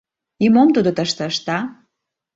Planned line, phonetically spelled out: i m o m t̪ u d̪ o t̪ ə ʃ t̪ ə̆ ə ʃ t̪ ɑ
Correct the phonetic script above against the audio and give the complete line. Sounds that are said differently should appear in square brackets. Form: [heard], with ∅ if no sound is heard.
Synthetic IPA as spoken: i m o m t̪ u d̪ o t̪ ə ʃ t̪ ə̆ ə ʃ t̪ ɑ